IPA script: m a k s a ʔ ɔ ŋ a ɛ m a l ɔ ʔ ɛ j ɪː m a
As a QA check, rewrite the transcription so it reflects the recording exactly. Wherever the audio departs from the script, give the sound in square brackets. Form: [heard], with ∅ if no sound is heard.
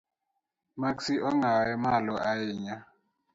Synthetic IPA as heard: m a k s [i] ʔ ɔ ŋ a ɛ m a l ɔ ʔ [a] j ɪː [ɲ] a